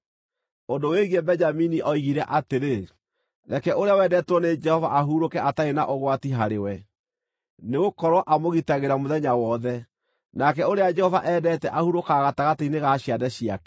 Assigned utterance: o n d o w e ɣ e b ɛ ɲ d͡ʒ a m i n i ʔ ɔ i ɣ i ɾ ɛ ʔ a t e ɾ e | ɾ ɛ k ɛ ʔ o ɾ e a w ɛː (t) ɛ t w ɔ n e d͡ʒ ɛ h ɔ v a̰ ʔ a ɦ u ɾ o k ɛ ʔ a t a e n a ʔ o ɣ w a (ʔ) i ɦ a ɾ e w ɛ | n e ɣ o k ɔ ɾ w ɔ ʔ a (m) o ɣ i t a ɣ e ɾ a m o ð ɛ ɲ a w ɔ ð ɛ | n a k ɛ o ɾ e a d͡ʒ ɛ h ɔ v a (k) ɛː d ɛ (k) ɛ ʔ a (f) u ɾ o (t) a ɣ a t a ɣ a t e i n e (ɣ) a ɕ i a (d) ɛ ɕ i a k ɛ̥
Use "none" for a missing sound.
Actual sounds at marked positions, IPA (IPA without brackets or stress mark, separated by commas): d, t, m, ʔ, t, h, k, ɣ, d